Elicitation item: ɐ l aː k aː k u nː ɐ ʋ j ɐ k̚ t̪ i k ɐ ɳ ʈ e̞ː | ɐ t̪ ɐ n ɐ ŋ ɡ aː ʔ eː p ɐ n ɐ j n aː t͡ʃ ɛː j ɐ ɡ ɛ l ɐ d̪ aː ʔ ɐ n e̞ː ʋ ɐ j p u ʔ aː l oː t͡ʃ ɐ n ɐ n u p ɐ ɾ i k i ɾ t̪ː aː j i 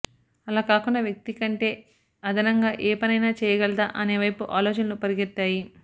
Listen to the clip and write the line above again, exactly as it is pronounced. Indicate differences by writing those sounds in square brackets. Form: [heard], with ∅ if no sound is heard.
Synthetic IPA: ɐ l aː k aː k u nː ɐ ʋ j ɐ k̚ t̪ i k ɐ ɳ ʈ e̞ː | ɐ [d̪] ɐ n ɐ ŋ ɡ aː ʔ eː p ɐ n ɐ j n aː t͡ʃ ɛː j ɐ ɡ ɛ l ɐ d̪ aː ʔ ɐ n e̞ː ʋ ɐ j p u ʔ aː l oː t͡ʃ ɐ n ɐ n u p ɐ ɾ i [ɡ] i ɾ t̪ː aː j i